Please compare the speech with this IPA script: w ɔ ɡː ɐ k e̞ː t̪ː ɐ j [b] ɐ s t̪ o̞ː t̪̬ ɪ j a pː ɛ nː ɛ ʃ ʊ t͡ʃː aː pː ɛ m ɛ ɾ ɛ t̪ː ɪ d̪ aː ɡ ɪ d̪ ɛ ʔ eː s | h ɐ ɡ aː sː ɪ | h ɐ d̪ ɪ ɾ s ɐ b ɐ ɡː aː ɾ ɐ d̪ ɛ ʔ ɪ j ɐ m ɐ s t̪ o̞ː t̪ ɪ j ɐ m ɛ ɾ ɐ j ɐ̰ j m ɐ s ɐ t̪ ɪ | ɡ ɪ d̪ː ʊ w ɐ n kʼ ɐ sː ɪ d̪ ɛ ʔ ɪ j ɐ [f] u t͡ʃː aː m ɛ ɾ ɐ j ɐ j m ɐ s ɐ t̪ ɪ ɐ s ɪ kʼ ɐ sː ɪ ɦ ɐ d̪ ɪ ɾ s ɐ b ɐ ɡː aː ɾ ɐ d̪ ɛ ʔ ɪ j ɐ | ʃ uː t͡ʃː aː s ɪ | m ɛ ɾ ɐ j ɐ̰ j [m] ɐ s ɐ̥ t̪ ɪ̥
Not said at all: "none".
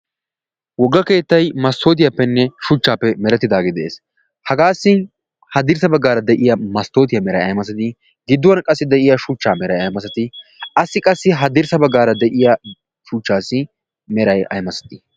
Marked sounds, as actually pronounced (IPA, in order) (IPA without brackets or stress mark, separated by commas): m, ʃ, m